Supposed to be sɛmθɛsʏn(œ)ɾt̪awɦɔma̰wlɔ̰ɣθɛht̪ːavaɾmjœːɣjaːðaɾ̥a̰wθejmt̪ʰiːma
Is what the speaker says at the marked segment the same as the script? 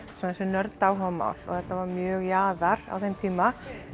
yes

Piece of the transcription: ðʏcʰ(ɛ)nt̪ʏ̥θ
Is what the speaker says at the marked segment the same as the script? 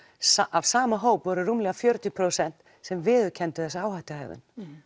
yes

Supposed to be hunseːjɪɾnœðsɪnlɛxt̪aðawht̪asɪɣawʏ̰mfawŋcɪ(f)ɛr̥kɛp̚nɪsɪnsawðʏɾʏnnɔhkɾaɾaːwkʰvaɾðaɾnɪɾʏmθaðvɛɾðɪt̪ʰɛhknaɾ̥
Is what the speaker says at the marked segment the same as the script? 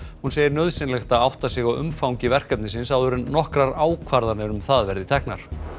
no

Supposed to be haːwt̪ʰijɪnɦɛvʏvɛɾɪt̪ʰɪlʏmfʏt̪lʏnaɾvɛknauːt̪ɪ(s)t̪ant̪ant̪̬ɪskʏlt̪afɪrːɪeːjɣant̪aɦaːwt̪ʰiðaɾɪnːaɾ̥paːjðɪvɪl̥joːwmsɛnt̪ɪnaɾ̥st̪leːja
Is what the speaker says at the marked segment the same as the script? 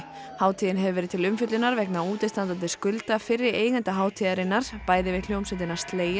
yes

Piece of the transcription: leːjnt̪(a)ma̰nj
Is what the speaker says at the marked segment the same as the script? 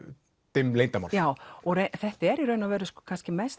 yes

